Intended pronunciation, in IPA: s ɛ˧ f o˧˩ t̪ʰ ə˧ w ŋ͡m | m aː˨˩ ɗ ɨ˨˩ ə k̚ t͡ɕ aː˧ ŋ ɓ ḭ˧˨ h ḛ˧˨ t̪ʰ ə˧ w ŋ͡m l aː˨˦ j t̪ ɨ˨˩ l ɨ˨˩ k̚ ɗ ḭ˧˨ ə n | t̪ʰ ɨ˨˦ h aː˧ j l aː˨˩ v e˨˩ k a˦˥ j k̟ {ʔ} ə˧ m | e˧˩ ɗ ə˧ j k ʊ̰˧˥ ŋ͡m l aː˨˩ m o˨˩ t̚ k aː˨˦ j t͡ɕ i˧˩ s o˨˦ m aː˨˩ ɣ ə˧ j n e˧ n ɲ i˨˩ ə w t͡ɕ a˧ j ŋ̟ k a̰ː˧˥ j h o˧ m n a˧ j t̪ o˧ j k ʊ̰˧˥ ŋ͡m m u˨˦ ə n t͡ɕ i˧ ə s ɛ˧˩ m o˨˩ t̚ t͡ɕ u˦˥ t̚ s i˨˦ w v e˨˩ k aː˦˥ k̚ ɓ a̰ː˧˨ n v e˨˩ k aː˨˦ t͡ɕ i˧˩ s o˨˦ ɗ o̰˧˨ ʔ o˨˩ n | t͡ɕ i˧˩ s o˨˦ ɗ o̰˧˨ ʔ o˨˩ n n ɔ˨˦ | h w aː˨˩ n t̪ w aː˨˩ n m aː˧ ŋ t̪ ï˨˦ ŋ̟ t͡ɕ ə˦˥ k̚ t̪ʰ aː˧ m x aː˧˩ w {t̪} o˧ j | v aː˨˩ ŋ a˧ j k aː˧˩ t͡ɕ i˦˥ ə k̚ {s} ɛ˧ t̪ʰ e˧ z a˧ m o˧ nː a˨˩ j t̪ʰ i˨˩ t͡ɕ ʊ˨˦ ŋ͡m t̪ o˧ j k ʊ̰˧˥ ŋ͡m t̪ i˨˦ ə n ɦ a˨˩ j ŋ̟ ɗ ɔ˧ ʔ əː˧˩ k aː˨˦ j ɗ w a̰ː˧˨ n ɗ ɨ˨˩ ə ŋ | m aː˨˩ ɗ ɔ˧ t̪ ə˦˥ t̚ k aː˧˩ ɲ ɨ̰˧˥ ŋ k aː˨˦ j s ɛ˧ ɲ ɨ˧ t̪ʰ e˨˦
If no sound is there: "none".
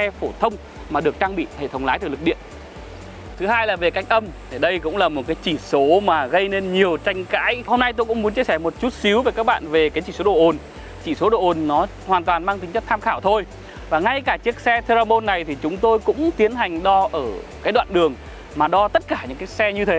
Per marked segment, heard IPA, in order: ʔ, t̪ʰ, s

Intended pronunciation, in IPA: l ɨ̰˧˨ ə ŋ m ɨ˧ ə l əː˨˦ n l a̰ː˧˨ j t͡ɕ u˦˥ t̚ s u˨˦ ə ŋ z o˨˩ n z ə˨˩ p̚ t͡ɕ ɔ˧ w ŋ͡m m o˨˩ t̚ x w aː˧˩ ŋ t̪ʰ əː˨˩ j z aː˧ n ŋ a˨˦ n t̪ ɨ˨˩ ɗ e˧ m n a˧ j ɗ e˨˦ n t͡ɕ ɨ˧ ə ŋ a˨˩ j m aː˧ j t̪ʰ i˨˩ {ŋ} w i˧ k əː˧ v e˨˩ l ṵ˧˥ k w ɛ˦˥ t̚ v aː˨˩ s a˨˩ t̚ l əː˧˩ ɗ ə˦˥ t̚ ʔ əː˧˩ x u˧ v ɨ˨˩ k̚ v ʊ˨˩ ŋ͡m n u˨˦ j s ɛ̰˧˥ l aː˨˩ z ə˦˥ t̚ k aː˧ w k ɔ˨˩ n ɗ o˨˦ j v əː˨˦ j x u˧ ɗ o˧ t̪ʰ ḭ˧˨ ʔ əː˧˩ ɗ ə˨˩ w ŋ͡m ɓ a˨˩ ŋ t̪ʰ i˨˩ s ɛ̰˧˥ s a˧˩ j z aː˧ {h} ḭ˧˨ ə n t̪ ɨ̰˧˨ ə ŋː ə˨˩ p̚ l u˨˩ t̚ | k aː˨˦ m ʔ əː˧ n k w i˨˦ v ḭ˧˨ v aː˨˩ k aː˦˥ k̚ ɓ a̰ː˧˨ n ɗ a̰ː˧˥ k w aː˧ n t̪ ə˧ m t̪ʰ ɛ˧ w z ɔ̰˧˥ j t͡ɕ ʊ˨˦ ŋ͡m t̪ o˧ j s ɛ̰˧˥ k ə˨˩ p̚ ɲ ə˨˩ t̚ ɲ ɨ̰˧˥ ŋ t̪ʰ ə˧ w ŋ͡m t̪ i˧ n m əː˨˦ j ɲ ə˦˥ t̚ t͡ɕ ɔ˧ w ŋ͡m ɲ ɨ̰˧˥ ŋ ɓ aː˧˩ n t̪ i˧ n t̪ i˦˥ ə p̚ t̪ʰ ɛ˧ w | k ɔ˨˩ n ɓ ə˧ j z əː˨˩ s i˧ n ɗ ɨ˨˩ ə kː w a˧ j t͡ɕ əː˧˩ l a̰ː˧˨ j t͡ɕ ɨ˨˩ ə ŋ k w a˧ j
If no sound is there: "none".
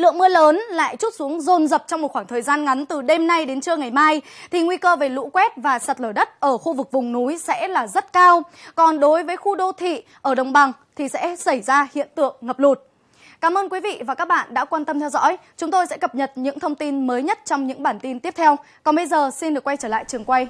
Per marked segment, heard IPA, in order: ŋ, h

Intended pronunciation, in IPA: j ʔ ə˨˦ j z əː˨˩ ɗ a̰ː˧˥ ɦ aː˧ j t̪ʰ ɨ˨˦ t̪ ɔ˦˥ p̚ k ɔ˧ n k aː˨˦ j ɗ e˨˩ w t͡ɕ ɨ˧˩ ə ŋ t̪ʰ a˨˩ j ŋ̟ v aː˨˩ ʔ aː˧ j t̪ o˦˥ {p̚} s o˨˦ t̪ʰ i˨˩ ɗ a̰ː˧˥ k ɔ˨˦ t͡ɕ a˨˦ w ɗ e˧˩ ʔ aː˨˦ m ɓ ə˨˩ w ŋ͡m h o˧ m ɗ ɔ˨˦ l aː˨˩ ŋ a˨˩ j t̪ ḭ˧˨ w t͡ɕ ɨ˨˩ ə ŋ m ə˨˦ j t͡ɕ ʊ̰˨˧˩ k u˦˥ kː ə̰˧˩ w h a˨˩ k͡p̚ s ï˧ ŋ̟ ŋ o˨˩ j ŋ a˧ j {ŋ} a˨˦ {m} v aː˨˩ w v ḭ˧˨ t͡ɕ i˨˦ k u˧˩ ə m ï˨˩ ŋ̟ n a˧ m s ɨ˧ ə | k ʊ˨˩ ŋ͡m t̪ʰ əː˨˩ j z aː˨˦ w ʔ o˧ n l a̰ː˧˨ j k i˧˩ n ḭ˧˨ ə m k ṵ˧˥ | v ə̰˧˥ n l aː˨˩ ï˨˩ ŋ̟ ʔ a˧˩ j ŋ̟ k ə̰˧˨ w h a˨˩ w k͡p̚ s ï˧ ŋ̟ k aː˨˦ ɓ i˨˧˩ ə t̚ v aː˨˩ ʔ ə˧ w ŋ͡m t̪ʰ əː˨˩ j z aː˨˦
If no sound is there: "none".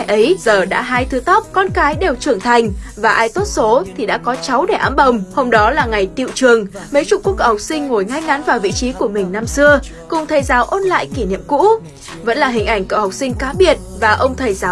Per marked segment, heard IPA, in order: t̚, ŋ, n

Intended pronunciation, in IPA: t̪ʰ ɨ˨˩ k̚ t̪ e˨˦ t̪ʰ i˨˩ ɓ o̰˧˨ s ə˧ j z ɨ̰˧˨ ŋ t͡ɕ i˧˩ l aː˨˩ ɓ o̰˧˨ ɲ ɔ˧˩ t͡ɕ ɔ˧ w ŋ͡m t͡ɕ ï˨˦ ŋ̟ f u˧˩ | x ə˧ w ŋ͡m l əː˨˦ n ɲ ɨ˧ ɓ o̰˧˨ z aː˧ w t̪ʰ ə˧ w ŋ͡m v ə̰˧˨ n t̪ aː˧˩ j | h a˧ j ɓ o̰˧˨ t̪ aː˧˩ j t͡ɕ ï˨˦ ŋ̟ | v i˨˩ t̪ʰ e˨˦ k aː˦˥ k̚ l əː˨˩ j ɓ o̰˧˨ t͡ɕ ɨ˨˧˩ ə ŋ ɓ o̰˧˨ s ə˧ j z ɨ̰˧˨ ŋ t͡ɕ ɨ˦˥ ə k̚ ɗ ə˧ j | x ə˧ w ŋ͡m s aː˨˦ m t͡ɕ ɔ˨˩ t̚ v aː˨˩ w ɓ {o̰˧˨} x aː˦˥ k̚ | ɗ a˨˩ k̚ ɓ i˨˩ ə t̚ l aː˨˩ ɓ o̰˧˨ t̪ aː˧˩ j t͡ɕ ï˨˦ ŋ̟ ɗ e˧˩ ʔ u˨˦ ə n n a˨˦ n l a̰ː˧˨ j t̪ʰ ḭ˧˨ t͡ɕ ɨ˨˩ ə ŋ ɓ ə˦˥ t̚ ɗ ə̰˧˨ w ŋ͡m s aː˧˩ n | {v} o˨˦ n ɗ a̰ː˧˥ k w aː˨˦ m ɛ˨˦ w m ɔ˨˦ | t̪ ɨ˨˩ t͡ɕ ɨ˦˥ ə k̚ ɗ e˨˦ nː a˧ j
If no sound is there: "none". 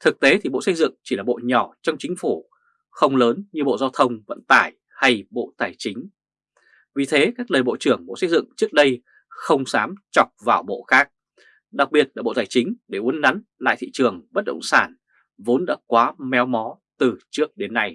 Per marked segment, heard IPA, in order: o̰˧˨, v

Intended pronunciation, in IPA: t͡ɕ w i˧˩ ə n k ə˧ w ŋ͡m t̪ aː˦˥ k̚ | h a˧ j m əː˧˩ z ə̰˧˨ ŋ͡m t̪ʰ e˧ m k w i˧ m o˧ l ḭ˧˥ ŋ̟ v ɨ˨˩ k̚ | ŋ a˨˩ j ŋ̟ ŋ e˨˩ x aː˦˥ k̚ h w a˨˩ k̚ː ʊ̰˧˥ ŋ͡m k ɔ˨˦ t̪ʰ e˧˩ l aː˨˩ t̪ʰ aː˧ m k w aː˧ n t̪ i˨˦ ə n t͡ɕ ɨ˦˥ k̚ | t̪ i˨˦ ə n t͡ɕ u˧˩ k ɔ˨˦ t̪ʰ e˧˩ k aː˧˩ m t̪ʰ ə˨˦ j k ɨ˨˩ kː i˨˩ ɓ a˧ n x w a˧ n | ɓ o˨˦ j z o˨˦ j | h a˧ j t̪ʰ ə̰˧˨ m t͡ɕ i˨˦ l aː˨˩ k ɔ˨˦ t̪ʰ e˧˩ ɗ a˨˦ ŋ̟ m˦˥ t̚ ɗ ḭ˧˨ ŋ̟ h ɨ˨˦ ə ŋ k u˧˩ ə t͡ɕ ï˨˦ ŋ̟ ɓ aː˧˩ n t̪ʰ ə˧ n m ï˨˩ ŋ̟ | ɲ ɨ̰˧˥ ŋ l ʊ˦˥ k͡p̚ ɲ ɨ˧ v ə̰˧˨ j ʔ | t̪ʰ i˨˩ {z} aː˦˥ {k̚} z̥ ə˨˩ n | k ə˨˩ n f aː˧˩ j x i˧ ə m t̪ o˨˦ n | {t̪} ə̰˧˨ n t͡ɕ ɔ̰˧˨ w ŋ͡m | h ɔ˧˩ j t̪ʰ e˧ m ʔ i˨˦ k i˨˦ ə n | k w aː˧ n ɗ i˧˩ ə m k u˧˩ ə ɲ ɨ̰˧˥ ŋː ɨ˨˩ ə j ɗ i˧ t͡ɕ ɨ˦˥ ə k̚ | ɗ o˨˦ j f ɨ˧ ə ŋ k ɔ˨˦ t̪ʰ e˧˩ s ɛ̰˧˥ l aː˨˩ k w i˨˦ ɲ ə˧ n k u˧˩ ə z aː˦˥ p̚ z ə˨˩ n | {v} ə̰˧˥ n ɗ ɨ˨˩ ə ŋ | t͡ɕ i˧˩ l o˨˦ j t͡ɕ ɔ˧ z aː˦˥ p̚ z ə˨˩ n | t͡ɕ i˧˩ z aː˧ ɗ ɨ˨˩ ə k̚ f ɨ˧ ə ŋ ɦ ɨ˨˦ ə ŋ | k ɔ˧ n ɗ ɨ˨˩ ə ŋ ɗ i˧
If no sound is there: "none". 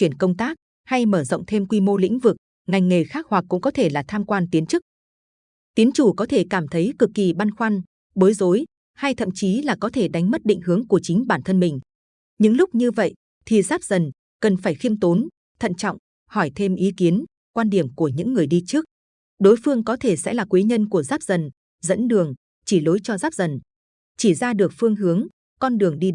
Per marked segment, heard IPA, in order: z, p̚, t̪ʰ, z

